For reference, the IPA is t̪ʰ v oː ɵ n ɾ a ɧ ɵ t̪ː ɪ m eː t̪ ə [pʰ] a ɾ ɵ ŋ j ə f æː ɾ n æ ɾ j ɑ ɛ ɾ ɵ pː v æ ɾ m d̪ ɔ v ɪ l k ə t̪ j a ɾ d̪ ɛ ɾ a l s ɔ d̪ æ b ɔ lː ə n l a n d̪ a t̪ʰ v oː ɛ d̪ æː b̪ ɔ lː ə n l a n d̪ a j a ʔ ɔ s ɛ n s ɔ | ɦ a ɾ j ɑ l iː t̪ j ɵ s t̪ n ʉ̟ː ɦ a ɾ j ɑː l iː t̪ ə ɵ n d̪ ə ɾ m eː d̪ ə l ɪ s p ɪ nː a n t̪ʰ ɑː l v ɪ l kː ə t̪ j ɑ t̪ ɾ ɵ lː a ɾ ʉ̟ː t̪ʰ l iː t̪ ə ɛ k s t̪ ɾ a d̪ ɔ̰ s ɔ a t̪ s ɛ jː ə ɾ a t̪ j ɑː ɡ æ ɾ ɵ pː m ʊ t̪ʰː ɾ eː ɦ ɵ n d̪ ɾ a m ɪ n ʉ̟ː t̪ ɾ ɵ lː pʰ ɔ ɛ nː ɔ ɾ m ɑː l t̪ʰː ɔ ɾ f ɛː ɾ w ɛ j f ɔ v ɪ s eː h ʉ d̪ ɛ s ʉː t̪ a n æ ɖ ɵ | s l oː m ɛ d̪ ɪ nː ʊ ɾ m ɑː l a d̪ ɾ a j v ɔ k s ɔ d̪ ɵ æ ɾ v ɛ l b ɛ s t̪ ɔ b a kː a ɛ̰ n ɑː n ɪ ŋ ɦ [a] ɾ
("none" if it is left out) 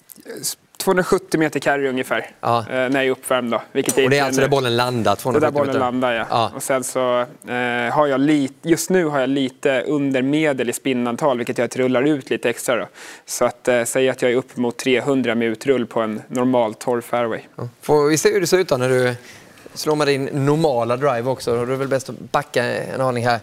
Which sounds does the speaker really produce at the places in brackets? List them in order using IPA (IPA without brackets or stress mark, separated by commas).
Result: kʰ, æ